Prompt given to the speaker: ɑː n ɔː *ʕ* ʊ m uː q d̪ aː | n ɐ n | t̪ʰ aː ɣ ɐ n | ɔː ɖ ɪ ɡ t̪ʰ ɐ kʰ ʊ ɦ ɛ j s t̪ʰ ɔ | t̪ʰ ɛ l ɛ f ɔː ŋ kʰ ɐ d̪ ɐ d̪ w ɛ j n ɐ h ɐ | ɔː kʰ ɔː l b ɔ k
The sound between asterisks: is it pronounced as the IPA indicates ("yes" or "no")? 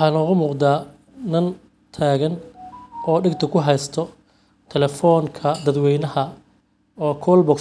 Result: no